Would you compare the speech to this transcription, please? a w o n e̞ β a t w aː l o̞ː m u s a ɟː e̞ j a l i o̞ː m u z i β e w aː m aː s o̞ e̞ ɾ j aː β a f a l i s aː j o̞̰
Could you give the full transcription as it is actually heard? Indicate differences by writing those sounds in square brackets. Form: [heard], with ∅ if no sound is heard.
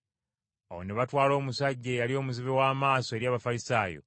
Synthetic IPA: a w o n e̞ β a t w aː l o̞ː m u s a ɟː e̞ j a l i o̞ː m u z i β e w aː m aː s o̞ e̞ ɾ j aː β a f a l i s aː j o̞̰